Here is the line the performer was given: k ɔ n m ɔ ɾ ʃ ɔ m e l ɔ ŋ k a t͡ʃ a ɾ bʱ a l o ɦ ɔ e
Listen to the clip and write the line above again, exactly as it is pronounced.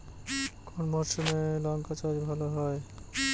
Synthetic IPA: k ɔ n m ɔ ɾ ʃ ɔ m e l ɔ ŋ k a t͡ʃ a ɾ bʱ a l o ɦ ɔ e